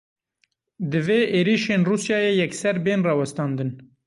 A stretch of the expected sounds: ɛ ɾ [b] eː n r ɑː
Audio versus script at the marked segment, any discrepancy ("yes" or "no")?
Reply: no